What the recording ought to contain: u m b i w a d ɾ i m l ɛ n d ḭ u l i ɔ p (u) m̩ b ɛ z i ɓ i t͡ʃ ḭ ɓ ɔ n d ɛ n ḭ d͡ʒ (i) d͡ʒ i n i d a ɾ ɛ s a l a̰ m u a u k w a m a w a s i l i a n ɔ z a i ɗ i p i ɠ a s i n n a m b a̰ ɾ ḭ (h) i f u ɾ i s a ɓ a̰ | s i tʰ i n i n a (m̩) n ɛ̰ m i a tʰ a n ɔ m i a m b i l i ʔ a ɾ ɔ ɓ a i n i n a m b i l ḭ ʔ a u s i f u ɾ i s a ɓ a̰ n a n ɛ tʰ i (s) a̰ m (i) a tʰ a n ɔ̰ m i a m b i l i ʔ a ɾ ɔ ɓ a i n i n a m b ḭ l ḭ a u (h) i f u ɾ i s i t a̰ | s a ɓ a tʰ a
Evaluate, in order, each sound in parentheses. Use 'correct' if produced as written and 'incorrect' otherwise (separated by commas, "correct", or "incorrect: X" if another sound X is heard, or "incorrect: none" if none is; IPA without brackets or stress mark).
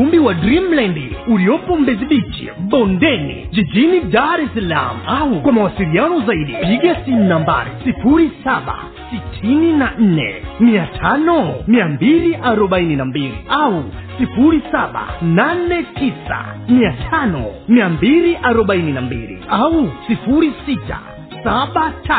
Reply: incorrect: ɔ, correct, incorrect: s, incorrect: n̩, correct, correct, incorrect: s